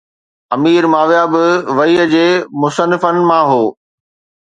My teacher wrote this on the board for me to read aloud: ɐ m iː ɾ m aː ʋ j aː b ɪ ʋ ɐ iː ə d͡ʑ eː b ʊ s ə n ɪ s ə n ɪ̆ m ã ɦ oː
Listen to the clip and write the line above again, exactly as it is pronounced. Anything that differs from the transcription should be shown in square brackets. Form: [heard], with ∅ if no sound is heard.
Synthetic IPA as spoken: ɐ m iː ɾ m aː ʋ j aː b ɪ ʋ ɐ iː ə d͡ʑ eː [m] ʊ s ə n ɪ [f] ə n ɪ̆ m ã ɦ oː